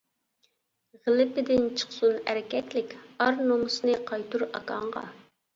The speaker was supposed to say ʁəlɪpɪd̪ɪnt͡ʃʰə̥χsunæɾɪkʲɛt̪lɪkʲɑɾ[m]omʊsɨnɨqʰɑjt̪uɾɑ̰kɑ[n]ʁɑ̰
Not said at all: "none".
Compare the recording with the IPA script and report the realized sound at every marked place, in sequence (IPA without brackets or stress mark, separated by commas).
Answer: n, ɴ